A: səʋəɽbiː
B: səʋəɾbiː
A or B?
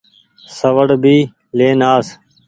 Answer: A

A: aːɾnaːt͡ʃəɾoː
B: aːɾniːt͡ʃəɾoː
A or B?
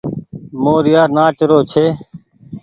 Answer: A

